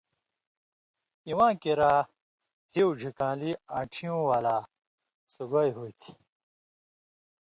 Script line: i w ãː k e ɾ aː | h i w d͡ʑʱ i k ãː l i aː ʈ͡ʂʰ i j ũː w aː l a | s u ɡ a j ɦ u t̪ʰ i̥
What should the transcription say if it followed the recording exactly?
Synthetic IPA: i w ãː k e ɾ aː | h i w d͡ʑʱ i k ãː l i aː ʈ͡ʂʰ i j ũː w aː l a | s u ɡ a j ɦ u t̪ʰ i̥